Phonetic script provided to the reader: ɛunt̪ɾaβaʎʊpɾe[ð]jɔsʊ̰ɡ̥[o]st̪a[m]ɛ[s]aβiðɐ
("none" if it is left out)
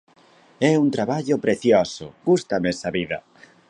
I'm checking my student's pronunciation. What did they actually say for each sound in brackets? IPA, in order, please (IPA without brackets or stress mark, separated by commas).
θ, u, m, s